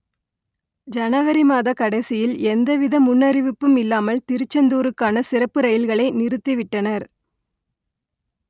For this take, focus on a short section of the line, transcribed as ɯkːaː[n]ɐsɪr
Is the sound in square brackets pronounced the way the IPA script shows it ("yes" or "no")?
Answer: yes